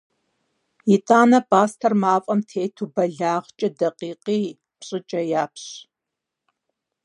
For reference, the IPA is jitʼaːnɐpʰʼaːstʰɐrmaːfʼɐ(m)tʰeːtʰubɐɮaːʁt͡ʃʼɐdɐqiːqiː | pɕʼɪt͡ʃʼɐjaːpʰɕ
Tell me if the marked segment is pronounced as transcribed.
yes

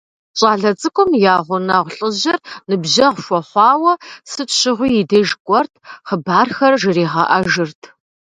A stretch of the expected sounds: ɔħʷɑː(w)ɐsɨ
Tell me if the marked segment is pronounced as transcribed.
yes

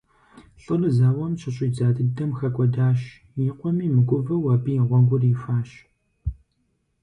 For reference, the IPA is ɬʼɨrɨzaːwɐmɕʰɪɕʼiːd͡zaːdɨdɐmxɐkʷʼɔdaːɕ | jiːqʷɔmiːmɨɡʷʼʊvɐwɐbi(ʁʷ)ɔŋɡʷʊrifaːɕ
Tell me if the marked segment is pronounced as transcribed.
yes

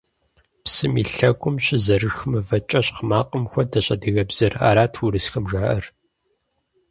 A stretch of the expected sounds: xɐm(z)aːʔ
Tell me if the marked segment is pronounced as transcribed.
no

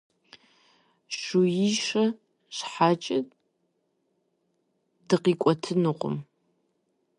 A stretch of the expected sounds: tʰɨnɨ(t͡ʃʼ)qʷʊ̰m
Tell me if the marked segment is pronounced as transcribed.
no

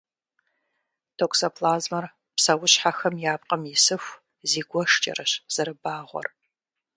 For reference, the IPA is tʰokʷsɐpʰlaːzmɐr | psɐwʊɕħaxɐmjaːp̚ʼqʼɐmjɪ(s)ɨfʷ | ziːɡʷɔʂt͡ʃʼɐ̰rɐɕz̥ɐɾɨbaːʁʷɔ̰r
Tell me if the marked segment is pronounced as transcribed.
yes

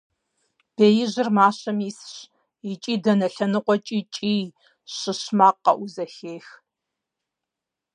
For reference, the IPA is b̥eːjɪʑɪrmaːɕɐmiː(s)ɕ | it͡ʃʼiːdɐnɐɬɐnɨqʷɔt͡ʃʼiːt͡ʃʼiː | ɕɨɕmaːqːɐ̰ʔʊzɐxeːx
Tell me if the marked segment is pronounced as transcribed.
yes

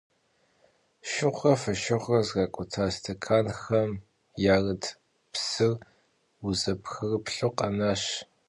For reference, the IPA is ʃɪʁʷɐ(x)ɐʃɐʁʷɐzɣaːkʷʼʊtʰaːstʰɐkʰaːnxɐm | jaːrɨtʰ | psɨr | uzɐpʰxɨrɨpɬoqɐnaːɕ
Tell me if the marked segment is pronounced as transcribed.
no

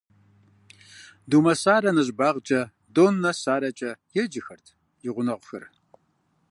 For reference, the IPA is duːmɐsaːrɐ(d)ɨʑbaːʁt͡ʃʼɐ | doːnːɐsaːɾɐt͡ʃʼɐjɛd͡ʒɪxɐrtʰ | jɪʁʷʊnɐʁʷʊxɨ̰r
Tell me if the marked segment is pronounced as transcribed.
no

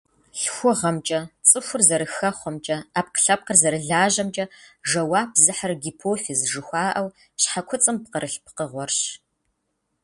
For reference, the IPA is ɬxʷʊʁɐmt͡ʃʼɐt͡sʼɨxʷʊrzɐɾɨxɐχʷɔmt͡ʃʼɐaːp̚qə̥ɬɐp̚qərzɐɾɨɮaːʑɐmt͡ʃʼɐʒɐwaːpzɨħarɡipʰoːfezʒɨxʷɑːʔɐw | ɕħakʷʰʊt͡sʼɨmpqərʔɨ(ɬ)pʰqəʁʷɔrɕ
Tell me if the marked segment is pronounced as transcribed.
yes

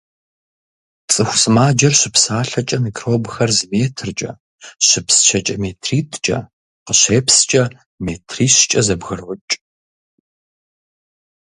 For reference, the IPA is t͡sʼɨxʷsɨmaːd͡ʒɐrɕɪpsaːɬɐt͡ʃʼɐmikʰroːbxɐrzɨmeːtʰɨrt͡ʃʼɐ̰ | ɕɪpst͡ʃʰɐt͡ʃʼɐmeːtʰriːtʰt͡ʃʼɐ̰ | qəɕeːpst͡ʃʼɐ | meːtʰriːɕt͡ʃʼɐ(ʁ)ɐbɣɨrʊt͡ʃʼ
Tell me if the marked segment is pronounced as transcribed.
no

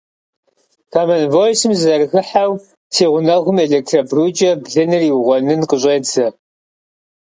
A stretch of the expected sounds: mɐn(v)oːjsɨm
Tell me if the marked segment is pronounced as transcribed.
yes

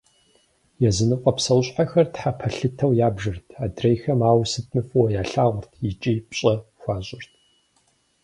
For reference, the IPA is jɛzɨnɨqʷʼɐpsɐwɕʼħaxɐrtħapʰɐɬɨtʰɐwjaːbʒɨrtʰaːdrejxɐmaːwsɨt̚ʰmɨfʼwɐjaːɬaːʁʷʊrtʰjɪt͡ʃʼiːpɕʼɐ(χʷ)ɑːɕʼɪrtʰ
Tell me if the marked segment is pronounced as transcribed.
no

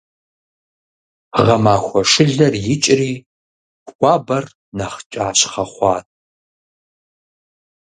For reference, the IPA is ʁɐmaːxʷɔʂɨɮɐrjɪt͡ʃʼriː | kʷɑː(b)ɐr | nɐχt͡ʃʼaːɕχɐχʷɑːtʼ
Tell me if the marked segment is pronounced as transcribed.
yes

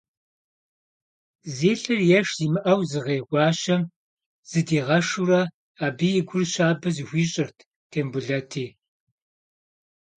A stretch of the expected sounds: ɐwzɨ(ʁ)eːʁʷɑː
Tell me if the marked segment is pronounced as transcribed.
yes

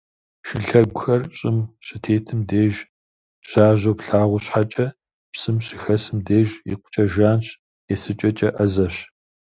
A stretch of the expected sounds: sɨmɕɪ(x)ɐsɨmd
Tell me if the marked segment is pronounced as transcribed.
yes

